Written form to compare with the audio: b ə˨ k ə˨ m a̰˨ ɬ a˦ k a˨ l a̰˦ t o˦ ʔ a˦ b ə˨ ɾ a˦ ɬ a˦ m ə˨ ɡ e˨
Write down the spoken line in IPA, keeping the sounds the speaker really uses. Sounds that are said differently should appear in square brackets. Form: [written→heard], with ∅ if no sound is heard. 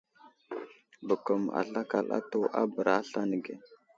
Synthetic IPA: b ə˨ k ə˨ m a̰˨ ɬ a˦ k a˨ l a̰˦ t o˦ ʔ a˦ b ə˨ ɾ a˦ ɬ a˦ [m→n] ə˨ ɡ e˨